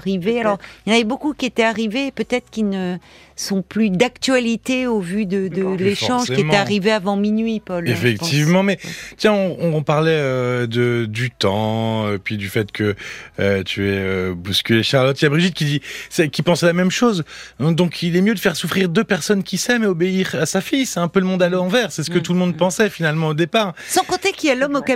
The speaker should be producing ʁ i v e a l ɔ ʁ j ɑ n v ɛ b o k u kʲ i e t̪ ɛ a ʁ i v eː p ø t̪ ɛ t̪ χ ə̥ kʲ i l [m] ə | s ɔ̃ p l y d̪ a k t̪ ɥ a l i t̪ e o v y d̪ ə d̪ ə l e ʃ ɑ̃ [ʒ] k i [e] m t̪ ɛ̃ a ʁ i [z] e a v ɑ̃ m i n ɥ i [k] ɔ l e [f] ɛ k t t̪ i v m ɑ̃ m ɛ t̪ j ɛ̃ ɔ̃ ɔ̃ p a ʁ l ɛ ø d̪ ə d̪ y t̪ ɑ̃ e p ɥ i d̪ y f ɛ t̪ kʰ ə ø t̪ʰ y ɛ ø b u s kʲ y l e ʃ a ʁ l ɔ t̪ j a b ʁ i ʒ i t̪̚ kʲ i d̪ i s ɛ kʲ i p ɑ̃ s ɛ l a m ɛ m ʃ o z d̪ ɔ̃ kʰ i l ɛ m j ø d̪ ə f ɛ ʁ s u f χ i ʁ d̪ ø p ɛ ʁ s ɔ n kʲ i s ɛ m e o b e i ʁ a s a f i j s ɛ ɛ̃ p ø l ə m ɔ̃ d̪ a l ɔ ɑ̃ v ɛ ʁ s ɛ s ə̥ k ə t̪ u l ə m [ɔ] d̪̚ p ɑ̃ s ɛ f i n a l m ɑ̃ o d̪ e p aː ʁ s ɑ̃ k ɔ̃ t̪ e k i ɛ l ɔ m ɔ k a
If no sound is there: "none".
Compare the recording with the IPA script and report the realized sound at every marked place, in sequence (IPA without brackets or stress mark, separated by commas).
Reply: n, ʒ, e, v, p, f, ɔ̃